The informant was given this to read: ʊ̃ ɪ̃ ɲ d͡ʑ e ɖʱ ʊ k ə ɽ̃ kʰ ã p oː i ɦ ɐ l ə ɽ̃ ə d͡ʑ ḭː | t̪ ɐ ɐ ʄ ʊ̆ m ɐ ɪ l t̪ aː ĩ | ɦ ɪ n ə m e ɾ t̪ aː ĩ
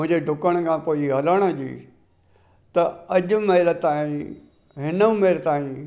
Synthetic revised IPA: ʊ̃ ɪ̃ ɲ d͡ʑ e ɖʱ ʊ k ə ɽ̃ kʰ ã p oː i ɦ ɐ l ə ɽ̃ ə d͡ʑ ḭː | t̪ ɐ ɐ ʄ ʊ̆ m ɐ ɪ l t̪ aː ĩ | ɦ ɪ n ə m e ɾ t̪ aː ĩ